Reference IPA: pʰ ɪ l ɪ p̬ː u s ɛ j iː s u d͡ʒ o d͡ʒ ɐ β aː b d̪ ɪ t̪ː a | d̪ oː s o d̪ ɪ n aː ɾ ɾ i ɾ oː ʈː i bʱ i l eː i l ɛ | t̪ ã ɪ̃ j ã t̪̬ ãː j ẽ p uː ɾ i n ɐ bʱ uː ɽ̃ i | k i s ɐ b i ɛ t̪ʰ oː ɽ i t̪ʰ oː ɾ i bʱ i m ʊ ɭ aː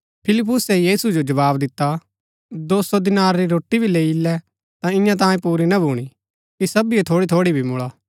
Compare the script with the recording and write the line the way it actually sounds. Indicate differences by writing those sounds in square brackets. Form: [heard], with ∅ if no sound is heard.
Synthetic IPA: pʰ ɪ l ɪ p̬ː [ʊ] s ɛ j iː s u d͡ʒ o d͡ʒ ɐ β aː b d̪ ɪ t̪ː a | d̪ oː s o d̪ ɪ n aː ɾ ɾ i ɾ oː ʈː i bʱ i l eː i l ɛ | t̪ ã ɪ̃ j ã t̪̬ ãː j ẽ p uː ɾ i n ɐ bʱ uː ɽ̃ i | k i s ɐ b i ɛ t̪ʰ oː ɽ i t̪ʰ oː [ɽ] i bʱ i m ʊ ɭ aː